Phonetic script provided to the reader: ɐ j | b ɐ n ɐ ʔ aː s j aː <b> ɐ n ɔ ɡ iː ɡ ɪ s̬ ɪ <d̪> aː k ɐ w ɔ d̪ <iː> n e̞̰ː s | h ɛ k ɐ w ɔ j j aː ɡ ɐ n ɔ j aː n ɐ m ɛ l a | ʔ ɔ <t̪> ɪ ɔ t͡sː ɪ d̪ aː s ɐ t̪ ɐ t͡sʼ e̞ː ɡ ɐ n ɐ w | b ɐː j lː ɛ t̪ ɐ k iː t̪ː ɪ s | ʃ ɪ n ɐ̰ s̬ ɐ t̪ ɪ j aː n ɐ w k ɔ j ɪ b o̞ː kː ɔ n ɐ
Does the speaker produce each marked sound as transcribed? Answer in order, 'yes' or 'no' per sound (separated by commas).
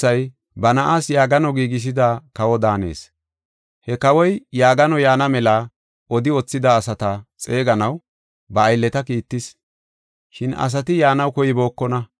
no, yes, no, no